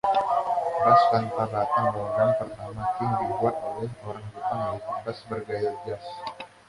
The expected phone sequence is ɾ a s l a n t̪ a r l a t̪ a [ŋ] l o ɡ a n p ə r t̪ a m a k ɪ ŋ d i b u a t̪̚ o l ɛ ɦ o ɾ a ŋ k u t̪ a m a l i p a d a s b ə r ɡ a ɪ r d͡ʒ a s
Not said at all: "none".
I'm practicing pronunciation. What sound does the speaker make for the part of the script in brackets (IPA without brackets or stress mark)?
ŋ